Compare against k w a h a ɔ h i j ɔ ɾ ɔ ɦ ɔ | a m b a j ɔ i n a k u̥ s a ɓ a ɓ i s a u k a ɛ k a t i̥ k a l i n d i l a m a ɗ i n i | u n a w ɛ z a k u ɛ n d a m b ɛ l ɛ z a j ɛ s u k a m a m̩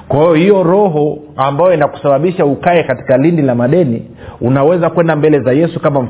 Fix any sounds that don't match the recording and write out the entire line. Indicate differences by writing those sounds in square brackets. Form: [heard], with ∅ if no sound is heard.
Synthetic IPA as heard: k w a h [i] ɔ h i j ɔ ɾ ɔ ɦ ɔ | a m b a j ɔ i n a k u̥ s a ɓ a ɓ i [ʃ] a u k a ɛ k a t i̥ k a l i n d i l a m a ɗ [ɛ] n i | u n a w ɛ z a k [w] ɛ n d a m b ɛ l ɛ z a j ɛ s u k a m a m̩